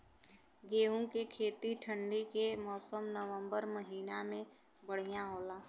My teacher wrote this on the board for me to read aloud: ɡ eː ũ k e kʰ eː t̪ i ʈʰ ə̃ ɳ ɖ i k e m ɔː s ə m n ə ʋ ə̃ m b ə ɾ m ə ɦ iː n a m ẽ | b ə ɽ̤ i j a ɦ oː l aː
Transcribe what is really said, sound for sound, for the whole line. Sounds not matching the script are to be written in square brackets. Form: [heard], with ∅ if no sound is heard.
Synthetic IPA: ɡ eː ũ k e kʰ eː t̪ i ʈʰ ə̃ ɳ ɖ i k e m ɔː s ə m n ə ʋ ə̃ m b ə ɾ m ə ɦ iː n a m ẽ | b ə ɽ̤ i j a ɦ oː l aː